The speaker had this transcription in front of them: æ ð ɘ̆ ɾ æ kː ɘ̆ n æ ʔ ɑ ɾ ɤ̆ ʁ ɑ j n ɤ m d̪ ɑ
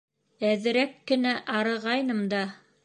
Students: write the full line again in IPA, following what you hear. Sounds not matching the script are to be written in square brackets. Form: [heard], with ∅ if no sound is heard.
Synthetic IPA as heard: æ ð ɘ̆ ɾ æ kː ɘ̆ n æ ʔ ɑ ɾ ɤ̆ ʁ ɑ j n ɤ m d̪ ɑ